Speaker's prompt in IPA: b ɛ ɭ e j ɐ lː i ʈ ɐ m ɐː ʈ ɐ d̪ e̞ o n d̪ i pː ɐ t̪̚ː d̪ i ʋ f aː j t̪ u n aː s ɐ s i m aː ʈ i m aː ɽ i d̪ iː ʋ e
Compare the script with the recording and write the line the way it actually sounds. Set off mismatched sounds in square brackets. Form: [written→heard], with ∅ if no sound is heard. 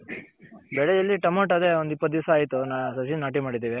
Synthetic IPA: b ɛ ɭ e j ɐ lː i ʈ ɐ m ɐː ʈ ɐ d̪ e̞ o n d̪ i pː ɐ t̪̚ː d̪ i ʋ [f→s] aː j t̪ u n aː s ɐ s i [m→n] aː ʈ i m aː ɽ i d̪ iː ʋ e